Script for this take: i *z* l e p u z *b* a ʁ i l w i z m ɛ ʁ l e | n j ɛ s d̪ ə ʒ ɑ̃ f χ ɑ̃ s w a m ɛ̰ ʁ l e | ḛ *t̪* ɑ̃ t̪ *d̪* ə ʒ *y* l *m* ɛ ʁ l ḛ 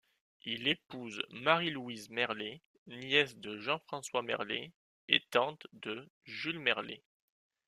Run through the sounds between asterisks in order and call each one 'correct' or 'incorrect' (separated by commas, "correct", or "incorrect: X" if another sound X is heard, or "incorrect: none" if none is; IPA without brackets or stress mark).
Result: incorrect: none, incorrect: m, correct, correct, correct, correct